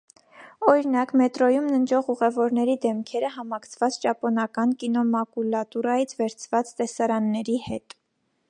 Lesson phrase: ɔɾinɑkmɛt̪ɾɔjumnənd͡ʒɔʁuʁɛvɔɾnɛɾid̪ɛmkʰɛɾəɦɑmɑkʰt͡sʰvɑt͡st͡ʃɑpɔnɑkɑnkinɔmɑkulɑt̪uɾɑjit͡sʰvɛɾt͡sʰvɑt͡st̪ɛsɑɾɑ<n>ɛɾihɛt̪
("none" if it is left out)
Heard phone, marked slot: nː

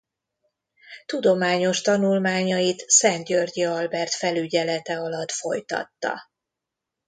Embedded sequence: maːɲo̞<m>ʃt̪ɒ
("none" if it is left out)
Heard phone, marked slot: none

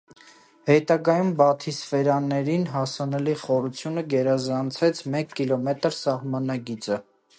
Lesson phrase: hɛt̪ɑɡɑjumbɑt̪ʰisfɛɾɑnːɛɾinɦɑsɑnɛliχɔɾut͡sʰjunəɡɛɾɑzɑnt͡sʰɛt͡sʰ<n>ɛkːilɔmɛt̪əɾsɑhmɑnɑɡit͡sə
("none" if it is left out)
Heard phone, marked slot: m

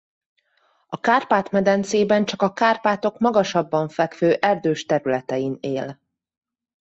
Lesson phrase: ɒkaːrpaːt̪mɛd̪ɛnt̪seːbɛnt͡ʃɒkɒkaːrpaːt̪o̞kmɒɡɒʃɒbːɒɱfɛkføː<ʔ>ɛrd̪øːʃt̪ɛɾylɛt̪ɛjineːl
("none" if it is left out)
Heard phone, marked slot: ʔ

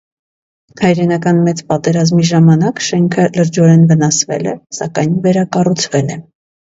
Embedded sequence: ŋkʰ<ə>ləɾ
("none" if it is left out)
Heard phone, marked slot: ə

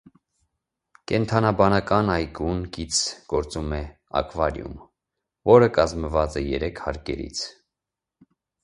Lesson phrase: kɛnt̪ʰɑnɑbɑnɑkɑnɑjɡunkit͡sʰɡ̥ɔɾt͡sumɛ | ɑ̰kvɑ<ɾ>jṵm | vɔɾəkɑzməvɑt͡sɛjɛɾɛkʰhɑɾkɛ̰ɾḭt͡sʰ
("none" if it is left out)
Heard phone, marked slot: ɾ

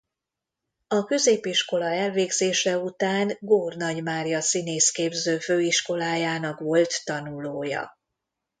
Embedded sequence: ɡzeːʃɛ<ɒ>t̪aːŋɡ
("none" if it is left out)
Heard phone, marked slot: u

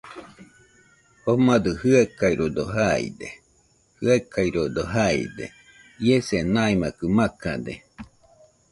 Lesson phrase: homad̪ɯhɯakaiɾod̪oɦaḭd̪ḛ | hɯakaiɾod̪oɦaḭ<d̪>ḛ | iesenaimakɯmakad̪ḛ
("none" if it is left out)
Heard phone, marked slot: d̪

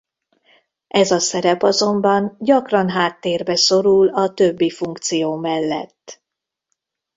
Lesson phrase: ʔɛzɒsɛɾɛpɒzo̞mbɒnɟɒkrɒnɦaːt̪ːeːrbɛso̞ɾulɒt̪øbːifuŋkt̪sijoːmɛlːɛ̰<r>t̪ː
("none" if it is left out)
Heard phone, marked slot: none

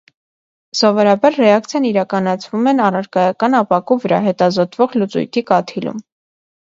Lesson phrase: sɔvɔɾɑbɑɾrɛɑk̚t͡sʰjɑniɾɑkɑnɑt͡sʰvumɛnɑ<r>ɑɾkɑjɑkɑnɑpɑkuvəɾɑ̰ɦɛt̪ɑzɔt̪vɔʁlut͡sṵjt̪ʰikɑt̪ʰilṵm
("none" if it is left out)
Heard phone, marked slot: r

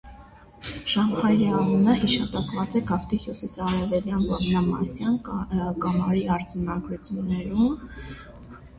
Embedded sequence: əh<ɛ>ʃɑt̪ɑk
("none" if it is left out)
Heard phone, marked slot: i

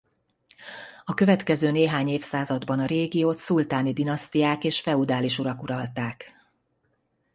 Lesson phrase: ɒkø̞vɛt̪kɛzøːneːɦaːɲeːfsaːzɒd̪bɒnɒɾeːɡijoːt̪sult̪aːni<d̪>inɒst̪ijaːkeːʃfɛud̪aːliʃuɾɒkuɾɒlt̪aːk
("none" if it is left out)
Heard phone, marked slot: d̪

